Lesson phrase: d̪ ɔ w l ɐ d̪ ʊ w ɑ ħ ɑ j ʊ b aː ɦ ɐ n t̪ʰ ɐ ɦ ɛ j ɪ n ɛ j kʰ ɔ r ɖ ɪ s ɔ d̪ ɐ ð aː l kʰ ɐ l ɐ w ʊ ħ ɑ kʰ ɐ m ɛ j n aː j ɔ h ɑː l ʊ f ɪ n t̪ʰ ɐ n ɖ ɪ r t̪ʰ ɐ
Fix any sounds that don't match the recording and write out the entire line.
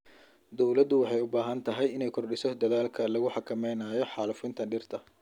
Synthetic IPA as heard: d̪ ɔ w l ɐ d̪ ʊ w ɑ ħ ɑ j ʊ b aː ɦ ɐ n t̪ʰ ɐ ɦ ɛ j ɪ n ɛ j kʰ ɔ r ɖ ɪ s ɔ d̪ ɐ ð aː l kʰ ɐ l ɐ ɣ ʊ ħ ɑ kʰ ɐ m ɛ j n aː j ɔ ħ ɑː l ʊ f ɪ n t̪ʰ ɐ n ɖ ɪ r t̪ʰ ɐ